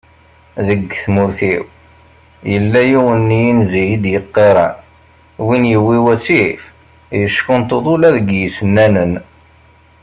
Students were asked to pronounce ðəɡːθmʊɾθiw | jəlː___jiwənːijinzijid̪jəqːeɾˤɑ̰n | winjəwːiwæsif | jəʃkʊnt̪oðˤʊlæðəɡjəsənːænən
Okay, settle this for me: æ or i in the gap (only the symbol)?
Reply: æ